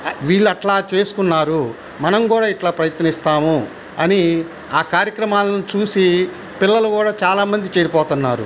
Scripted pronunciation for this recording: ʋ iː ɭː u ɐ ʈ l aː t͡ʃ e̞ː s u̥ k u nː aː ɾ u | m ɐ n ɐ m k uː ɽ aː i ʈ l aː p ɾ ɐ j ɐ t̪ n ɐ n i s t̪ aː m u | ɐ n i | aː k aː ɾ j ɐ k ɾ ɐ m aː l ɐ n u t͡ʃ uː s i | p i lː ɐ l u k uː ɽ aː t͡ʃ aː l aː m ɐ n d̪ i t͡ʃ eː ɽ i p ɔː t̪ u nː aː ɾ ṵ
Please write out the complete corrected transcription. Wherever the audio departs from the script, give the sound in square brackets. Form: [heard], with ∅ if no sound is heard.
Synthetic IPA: ʋ iː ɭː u ɐ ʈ l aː t͡ʃ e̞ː s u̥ k u nː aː ɾ u | m ɐ n ɐ m k uː ɽ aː i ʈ l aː p ɾ ɐ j ɐ t̪ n ɐ n i s t̪ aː m u | ɐ n i | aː k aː ɾ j ɐ k ɾ ɐ m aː l ɐ n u t͡ʃ uː s i | p i lː ɐ l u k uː ɽ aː t͡ʃ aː l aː m ɐ n d̪ i t͡ʃ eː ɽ i p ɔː t̪ u nː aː ɾ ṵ

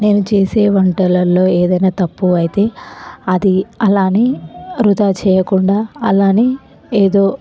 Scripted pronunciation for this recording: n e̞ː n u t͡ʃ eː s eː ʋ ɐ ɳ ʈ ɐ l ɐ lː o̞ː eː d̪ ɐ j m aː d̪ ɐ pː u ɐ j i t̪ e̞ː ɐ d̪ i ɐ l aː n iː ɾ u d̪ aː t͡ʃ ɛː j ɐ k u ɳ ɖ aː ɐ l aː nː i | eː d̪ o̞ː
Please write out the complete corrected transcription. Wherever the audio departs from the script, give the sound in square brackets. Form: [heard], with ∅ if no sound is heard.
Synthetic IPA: n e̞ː n u t͡ʃ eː s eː ʋ ɐ ɳ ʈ ɐ l ɐ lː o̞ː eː d̪ ɐ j [n] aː [t̪] ɐ pː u ɐ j i t̪ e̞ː ɐ d̪ i ɐ l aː n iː ɾ u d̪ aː t͡ʃ ɛː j ɐ k u ɳ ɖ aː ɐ l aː [n] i | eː d̪ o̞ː

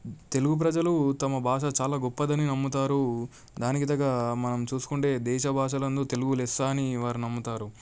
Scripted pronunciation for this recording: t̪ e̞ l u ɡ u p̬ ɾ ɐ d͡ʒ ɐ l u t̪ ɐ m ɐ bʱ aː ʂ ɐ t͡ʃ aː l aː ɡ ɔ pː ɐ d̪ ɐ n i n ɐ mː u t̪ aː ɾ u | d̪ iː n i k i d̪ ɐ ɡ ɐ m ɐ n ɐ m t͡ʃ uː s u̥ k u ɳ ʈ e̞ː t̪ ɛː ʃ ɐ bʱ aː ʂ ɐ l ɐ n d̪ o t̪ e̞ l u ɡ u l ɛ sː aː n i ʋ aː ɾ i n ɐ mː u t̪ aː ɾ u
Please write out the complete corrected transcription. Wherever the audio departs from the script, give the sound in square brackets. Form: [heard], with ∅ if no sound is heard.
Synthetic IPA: t̪ e̞ l u ɡ u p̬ ɾ ɐ d͡ʒ ɐ l u t̪ ɐ m ɐ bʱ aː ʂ ɐ t͡ʃ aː l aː ɡ ɔ pː ɐ d̪ ɐ n i n ɐ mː u t̪ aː ɾ u | d̪ [aː] n i k i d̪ ɐ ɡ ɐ m ɐ n ɐ m t͡ʃ uː s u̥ k u ɳ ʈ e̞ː [d̪] ɛː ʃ ɐ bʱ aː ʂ ɐ l ɐ n d̪ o t̪ e̞ l u ɡ u l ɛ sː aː n i ʋ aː ɾ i n ɐ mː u t̪ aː ɾ u

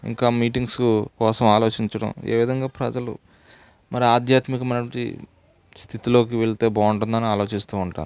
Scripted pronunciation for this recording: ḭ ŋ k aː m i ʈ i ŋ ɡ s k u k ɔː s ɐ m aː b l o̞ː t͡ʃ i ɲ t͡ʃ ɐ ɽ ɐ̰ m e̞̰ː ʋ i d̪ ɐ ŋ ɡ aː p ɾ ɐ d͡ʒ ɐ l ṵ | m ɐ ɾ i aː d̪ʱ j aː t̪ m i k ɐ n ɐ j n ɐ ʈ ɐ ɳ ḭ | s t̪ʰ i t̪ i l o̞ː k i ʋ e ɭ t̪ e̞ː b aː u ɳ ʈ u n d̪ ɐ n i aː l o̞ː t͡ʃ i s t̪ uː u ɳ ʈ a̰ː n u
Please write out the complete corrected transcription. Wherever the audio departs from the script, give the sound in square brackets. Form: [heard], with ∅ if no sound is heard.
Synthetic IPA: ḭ ŋ k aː m [iː] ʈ i ŋ ɡ s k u k ɔː s ɐ m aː [∅] l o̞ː t͡ʃ i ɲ t͡ʃ ɐ ɽ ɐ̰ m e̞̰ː ʋ i d̪ ɐ ŋ ɡ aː p ɾ ɐ d͡ʒ ɐ l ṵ | m ɐ ɾ i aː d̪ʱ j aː t̪ m i k ɐ [m] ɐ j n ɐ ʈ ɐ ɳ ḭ | s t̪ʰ i t̪ i l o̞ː k i ʋ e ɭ t̪ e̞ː b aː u ɳ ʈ u n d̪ ɐ n i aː l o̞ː t͡ʃ i s t̪ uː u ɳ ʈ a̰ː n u

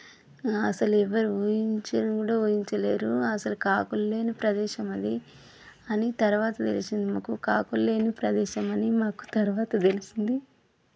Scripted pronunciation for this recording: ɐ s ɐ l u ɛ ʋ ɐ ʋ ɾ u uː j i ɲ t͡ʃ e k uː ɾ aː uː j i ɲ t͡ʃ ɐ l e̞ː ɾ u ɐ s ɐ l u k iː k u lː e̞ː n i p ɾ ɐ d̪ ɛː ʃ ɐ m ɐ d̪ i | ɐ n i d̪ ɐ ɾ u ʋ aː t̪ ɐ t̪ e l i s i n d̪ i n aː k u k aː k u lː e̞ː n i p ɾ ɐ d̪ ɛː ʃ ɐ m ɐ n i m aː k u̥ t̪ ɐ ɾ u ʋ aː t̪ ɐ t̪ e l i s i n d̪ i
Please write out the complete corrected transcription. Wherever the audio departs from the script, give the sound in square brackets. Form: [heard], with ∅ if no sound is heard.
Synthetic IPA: ɐ s ɐ l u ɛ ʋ ɐ [∅] ɾ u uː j i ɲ t͡ʃ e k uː [ɽ] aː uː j i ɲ t͡ʃ ɐ l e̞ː ɾ u ɐ s ɐ l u k [aː] k u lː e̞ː n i p ɾ ɐ d̪ ɛː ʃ ɐ m ɐ d̪ i | ɐ n i [t̪] ɐ ɾ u ʋ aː t̪ ɐ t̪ e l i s i n d̪ i [m] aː k u k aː k u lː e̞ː n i p ɾ ɐ d̪ ɛː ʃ ɐ m ɐ n i m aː k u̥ t̪ ɐ ɾ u ʋ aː t̪ ɐ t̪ e l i s i n d̪ i

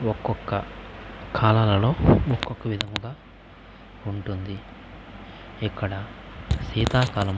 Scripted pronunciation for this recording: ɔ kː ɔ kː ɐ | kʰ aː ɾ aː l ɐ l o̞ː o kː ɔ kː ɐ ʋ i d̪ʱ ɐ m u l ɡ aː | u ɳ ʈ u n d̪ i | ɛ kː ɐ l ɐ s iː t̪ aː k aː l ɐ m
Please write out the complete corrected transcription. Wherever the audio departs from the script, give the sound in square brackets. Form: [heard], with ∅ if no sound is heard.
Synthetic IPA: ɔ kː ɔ kː ɐ | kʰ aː [l] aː l ɐ l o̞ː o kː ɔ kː ɐ ʋ i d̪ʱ ɐ m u [∅] ɡ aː | u ɳ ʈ u n d̪ i | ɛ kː ɐ [ɽ] ɐ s iː t̪ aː k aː l ɐ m

